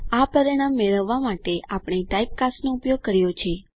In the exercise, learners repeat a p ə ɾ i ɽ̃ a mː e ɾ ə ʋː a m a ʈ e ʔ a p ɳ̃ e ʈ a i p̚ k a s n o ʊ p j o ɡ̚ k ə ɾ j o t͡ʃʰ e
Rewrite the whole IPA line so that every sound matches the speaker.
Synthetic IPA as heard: a p ə ɾ i ɽ̃ a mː e ɭ ə ʋː a m a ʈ e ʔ a p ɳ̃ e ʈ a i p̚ k a s n o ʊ p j o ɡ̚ k ə ɾ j o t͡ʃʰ e

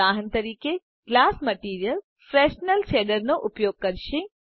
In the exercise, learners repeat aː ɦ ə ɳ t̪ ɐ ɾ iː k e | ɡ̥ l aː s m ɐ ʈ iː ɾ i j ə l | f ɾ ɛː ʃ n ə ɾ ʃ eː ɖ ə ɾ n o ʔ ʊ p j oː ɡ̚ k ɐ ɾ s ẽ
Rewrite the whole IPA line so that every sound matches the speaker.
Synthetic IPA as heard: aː ɦ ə n t̪ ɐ ɾ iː k e | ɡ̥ l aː s m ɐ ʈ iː ɾ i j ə l | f ɾ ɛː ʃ n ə l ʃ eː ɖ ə ɾ n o ʔ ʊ p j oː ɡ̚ k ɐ ɾ ʃ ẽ

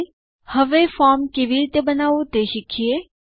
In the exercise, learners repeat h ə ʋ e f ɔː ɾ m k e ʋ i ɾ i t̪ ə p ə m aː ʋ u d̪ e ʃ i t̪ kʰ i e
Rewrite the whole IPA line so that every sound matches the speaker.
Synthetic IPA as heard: h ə ʋ e f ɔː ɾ m k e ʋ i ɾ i t̪ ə b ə n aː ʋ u t̪ e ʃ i kʰ i e

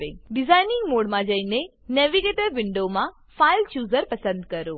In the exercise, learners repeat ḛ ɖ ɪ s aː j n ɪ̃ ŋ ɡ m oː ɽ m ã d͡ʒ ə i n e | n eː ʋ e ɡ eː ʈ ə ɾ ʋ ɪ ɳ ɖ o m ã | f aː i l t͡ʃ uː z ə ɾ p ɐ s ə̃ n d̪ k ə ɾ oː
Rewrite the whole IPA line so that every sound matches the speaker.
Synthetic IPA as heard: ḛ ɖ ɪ z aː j n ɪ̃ ŋ ɡ m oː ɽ m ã d͡ʒ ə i n e | n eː ʋ i ɡ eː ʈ ə ɾ ʋ ɪ ɳ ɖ o m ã | f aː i l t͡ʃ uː z ə ɾ p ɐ s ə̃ n d̪ k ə ɾ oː

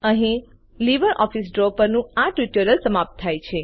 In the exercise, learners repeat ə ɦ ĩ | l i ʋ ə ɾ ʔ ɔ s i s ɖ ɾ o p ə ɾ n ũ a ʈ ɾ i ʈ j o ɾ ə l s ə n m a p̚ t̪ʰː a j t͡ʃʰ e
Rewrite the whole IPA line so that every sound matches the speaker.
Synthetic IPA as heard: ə ɦ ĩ | l i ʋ ə ɾ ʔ ɔ f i s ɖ ɾ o p ə ɾ n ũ a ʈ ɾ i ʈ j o ɾ ə l s ə m a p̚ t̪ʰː a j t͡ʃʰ e

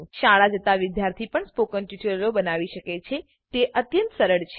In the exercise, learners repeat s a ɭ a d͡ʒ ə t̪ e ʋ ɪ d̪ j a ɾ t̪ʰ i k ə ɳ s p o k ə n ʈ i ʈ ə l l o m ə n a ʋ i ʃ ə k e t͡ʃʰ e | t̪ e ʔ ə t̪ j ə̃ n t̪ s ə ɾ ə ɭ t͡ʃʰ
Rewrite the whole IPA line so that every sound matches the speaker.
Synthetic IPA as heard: ʃ a ɭ a d͡ʒ ə t̪ a ʋ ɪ d̪ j a ɾ t̪ʰ i p ə ɳ s p o k ə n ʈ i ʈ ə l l o b ə n a ʋ i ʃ ə k e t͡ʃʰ e | t̪ e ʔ ə t̪ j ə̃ n t̪ s ə ɾ ə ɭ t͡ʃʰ

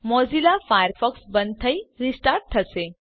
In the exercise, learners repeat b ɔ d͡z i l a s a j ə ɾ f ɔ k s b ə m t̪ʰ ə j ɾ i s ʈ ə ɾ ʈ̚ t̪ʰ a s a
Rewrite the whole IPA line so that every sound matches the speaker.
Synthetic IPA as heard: m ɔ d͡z i l a f a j ə ɾ f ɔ k s b ə n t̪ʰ ə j ɾ i s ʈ a ɾ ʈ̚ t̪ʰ ə s e

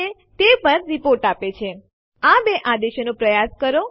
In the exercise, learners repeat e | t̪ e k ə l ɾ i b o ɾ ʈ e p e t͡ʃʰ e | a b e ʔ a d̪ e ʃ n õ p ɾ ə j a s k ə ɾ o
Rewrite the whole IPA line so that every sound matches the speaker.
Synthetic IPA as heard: e | t̪ e p ə ɾ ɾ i p o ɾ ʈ a p e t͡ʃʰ e | a b e ʔ a d̪ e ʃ n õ p ɾ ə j a s k ə ɾ o

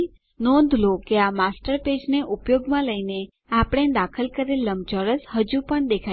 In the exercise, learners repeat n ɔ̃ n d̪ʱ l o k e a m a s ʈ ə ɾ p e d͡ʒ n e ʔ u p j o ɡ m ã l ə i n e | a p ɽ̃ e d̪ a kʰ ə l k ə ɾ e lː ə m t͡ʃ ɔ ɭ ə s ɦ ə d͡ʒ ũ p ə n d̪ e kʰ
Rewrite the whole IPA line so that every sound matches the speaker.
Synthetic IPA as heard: n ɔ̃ n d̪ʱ l o k e a m a s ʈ ə ɾ p e d͡ʒ n e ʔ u p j o ɡ m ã l ə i n e | a p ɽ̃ e d̪ a kʰ ə l k ə ɾ e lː ə m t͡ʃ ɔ ɾ ə s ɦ ə d͡ʒ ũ p ə ɳ d̪ e kʰ

